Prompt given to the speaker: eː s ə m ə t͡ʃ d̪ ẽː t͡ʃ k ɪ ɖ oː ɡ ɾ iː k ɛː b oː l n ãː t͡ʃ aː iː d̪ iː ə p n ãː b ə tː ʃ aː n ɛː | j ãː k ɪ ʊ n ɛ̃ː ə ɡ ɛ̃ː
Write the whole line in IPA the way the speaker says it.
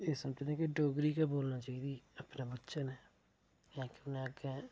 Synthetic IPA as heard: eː s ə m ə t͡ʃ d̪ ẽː k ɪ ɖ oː ɡ ɾ iː k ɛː b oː l n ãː t͡ʃ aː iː d̪ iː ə p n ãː b ə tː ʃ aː n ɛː | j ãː k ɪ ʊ n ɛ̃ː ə ɡ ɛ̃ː